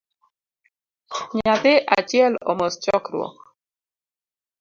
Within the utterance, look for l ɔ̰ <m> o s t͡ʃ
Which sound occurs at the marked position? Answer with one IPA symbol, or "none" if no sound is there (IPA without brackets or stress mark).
m